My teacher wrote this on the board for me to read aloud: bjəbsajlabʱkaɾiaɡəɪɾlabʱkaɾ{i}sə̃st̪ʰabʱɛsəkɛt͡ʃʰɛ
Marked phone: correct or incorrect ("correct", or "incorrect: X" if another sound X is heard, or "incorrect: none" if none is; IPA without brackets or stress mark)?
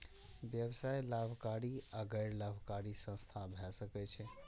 correct